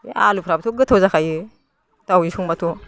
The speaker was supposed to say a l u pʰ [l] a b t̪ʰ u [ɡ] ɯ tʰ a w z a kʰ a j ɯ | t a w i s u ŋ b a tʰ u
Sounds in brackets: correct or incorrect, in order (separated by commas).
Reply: incorrect, correct